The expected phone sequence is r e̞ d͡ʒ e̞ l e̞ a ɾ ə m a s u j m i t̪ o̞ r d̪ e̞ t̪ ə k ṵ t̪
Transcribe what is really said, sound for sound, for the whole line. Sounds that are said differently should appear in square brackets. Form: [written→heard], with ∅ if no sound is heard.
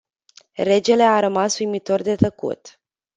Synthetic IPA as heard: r e̞ d͡ʒ e̞ l e̞ a ɾ ə m a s u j m i t̪ o̞ r d̪ e̞ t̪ ə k ṵ t̪